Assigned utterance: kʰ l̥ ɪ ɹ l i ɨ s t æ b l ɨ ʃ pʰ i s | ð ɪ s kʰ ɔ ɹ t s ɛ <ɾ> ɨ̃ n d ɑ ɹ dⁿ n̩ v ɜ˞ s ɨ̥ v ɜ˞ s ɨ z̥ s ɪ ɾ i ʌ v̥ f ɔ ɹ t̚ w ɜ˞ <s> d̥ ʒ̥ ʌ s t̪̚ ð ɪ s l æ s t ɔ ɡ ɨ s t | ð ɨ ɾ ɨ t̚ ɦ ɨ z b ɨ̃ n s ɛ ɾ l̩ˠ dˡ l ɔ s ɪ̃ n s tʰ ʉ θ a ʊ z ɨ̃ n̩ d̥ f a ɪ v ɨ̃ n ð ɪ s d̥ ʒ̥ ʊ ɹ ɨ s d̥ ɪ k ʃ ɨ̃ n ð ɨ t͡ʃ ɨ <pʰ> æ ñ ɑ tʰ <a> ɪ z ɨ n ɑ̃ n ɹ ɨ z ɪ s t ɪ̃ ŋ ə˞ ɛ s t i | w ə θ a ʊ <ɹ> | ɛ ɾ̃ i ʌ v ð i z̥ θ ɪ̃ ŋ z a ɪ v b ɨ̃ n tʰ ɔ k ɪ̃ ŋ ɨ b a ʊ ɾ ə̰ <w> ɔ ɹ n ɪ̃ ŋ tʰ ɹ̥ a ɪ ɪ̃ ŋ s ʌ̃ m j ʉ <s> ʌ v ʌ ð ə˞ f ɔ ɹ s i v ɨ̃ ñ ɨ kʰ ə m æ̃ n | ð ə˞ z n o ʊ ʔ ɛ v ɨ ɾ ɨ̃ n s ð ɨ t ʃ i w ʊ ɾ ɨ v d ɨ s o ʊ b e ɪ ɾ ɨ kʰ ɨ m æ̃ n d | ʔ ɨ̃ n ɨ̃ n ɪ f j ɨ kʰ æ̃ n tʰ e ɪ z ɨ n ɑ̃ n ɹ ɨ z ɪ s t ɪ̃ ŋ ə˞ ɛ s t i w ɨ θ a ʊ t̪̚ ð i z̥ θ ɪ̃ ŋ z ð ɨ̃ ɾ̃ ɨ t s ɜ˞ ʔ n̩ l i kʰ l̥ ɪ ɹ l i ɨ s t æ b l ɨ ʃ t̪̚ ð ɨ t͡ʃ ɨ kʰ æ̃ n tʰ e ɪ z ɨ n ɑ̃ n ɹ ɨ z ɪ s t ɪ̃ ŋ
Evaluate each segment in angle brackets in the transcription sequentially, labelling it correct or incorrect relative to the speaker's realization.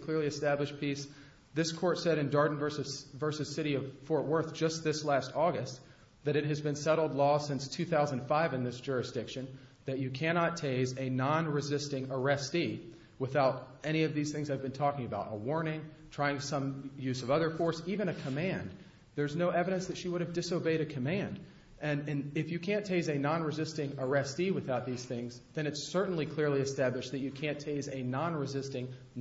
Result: correct, incorrect: θ, incorrect: kʰ, incorrect: e, incorrect: ɾ, correct, incorrect: z

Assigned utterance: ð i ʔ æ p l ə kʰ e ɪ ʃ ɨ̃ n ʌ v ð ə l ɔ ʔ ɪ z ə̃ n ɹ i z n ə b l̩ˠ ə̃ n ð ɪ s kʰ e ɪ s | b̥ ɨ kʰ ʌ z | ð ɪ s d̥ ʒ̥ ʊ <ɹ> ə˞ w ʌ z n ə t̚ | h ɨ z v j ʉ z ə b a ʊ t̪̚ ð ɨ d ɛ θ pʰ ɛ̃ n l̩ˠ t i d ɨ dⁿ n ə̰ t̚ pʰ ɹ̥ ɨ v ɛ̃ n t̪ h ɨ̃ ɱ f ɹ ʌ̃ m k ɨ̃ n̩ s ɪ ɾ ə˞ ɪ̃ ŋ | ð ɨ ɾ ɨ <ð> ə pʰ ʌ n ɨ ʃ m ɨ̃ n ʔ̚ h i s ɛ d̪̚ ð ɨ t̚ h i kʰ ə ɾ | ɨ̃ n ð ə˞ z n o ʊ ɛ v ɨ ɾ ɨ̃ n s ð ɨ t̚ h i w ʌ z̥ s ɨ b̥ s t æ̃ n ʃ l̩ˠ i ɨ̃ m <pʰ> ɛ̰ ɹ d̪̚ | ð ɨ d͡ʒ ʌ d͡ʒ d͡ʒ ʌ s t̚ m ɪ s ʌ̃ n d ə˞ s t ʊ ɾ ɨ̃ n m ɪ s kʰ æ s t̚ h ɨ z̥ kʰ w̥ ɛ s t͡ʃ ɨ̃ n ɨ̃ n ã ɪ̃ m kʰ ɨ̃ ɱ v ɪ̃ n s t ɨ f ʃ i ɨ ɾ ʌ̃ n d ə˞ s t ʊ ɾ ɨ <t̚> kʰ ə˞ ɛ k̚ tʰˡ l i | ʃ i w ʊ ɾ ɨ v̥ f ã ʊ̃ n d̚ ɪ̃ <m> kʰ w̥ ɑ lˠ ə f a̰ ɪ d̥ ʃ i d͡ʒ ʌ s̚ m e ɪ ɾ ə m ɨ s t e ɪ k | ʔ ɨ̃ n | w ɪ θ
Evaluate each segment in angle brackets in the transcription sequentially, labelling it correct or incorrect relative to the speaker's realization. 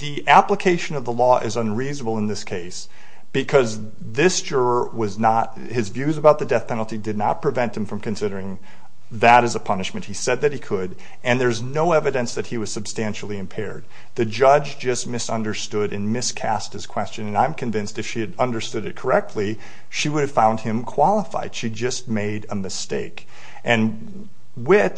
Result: correct, incorrect: z, correct, correct, correct

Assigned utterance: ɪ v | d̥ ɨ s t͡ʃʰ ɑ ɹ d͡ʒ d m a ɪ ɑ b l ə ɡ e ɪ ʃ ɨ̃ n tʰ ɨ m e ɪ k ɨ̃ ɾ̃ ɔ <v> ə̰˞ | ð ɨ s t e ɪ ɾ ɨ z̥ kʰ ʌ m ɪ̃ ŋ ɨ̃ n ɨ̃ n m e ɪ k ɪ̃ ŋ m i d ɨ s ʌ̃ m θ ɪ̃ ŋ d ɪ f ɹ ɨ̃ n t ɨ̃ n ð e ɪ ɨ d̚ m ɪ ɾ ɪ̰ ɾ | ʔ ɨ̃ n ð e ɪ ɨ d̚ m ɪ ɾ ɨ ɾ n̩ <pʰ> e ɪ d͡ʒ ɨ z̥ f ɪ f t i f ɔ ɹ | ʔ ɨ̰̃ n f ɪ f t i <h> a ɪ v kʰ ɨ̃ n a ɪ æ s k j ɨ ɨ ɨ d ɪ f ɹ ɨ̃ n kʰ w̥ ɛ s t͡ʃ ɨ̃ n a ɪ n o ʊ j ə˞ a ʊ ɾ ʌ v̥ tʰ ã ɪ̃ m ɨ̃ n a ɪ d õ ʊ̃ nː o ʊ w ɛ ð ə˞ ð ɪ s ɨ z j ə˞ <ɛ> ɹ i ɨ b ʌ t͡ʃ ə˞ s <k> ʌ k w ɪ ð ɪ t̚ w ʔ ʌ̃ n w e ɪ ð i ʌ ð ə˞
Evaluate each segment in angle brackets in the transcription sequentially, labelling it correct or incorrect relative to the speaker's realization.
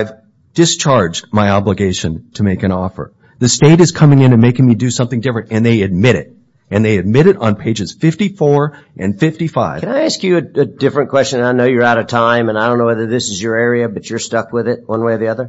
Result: incorrect: f, correct, incorrect: f, correct, incorrect: t

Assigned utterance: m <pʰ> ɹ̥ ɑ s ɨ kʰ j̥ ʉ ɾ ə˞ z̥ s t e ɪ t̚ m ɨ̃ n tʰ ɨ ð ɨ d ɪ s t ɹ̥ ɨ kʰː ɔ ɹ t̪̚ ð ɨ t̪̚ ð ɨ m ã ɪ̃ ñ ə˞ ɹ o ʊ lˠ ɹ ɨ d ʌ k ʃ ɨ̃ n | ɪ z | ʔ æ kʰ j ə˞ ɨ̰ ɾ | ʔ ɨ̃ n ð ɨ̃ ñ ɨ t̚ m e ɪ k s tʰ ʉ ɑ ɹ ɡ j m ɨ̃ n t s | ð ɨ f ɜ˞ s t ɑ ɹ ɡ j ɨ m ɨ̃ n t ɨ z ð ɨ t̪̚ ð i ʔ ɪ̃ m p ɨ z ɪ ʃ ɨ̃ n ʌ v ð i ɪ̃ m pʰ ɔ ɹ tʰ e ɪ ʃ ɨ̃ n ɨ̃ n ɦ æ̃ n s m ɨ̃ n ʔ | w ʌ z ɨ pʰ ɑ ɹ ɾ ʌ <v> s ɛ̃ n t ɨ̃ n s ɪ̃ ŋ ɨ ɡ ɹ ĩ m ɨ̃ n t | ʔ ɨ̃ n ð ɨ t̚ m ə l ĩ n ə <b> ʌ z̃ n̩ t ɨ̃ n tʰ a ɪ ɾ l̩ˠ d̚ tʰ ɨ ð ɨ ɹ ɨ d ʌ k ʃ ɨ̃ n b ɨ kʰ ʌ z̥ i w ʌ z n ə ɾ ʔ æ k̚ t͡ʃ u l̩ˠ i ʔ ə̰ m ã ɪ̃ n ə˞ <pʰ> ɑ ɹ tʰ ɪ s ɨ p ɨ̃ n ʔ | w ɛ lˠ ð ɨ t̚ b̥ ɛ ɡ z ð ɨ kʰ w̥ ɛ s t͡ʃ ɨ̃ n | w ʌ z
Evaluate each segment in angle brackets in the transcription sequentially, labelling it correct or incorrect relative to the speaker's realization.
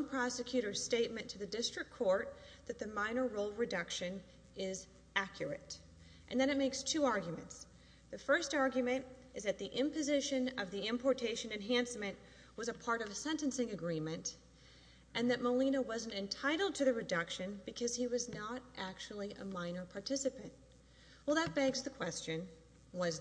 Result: correct, correct, incorrect: w, correct

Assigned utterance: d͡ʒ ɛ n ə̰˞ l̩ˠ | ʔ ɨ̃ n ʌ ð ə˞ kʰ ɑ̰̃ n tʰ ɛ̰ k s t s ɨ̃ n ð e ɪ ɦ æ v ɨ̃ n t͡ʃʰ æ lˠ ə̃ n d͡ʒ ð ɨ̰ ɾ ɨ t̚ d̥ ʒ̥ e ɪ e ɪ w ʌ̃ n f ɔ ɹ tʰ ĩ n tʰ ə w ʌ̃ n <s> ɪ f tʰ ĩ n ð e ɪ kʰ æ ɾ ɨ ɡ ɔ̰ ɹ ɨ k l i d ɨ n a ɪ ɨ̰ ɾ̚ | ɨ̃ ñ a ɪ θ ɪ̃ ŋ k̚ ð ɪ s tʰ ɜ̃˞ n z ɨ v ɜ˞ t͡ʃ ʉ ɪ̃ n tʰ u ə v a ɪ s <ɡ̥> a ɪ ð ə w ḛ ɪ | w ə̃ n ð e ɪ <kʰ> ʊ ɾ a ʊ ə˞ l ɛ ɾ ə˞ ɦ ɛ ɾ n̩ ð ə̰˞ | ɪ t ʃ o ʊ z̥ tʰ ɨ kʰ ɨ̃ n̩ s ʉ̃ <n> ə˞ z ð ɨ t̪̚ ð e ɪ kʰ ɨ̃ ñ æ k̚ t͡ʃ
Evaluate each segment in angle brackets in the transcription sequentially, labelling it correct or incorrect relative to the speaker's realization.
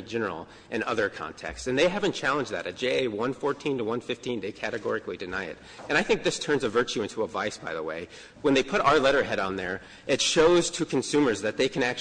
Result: incorrect: f, incorrect: b̥, incorrect: pʰ, incorrect: m

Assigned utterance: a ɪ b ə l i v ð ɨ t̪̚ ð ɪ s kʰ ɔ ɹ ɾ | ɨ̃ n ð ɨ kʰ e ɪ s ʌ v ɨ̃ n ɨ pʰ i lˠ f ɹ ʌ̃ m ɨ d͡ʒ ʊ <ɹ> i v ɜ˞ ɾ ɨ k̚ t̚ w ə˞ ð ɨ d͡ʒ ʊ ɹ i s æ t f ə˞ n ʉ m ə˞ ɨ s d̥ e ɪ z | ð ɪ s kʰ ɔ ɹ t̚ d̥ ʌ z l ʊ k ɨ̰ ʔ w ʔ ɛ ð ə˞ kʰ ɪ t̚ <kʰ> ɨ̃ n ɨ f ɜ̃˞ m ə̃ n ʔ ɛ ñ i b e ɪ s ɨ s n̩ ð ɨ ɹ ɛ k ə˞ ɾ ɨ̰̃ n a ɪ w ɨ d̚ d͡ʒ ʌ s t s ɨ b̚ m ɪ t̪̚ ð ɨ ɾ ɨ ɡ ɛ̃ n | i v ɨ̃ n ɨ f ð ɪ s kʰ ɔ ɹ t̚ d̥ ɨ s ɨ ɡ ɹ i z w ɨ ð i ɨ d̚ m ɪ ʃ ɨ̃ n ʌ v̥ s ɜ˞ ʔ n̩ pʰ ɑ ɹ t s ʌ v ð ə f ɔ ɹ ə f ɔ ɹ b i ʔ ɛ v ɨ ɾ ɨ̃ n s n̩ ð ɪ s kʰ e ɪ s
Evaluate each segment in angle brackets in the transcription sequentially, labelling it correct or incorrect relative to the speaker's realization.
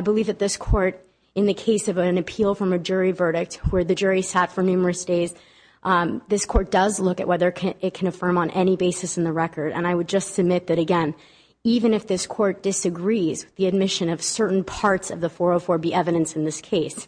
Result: correct, correct

